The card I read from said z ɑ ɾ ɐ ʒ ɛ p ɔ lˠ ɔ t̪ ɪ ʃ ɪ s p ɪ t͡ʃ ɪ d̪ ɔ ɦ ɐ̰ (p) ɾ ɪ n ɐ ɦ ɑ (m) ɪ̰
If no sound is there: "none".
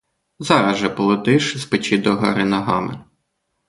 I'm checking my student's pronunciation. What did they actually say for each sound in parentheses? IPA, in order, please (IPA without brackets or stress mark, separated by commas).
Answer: none, m